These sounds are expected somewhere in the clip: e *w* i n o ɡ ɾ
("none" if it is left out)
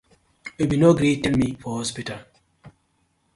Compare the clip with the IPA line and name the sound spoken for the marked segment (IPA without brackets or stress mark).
b